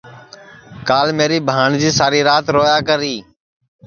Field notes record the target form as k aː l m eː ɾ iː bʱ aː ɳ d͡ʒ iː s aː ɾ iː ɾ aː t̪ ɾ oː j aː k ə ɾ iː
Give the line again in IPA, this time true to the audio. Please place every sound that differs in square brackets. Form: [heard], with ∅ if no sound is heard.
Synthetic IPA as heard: k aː l m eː ɾ iː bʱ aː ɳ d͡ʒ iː s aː ɾ iː ɾ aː t̪ ɾ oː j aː k ə ɾ iː